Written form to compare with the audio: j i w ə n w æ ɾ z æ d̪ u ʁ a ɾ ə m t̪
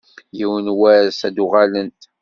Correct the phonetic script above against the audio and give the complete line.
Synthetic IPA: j i w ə n w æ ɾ s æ d̪ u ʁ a l ə n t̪